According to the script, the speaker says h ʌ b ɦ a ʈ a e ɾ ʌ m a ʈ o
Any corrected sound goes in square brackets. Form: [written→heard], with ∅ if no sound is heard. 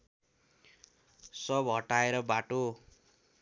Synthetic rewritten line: [h→s] ʌ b ɦ [a→ʌ] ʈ a e ɾ ʌ [m→b] a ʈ o